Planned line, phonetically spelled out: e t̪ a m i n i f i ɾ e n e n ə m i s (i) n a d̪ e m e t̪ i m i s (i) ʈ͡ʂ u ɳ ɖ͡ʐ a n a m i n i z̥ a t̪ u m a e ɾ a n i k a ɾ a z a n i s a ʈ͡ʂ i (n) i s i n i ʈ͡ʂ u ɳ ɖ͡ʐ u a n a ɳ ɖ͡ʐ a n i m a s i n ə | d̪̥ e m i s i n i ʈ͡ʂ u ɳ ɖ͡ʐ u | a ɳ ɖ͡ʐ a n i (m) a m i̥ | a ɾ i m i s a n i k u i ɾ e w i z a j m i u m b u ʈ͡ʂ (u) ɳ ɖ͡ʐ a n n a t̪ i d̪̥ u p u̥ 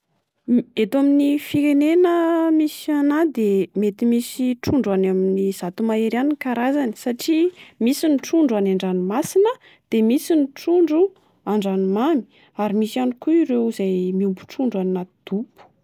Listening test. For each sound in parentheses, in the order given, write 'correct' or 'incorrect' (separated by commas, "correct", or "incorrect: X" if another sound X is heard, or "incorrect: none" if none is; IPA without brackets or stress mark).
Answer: incorrect: a, correct, incorrect: m, correct, correct